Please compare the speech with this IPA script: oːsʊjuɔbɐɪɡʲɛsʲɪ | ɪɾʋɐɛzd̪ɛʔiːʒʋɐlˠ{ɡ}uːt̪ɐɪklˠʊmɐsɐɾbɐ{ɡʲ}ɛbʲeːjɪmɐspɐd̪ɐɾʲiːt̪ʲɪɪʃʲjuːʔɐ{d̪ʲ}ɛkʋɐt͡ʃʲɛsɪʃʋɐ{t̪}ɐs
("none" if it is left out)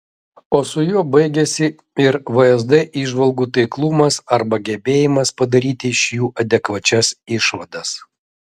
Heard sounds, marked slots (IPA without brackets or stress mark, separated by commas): ɡ, ɡʲ, d̪ʲ, d̪